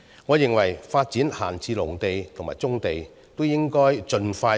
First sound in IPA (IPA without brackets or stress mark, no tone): ŋ